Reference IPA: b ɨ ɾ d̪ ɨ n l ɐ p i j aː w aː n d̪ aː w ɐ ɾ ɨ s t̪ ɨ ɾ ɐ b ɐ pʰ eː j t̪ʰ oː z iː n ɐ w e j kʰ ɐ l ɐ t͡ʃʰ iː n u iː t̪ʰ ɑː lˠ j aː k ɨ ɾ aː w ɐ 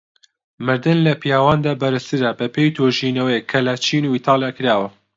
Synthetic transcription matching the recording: m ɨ ɾ d̪ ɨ n l ɐ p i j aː w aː n d̪ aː b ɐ ɾ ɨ s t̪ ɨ ɾ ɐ b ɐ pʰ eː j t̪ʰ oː ʒ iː n ɐ w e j kʰ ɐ l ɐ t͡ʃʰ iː n u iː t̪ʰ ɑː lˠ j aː k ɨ ɾ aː w ɐ